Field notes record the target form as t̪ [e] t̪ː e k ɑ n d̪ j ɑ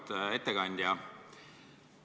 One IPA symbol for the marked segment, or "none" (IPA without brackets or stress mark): e